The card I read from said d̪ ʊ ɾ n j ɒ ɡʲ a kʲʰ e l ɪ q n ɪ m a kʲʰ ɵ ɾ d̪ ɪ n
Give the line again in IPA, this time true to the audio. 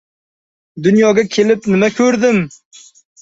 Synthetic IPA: d̪ ʊ n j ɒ ɡʲ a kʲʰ e l ɪ p n ɪ m a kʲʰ ɵ ɾ d̪ ɪ m